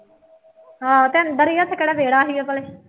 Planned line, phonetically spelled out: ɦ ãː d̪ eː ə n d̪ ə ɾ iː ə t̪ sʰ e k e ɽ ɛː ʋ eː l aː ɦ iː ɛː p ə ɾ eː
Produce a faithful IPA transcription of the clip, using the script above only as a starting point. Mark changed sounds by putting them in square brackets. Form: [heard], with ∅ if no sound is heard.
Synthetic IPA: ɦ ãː [t̪] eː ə n d̪ ə ɾ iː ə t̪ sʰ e k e ɽ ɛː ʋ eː [ɽ] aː ɦ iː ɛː p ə [l] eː